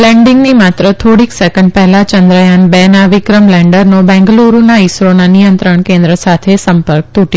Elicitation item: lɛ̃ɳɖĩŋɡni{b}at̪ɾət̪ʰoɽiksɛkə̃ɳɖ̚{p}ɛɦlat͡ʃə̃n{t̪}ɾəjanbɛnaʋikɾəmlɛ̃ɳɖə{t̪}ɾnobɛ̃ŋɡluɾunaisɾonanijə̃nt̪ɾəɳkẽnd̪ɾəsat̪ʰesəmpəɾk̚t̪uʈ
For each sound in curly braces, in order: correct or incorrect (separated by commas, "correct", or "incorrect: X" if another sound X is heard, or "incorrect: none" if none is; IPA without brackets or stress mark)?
incorrect: m, correct, incorrect: d̪, incorrect: none